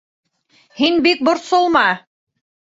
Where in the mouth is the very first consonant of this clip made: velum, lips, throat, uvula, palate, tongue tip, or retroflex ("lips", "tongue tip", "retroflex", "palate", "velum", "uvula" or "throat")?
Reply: throat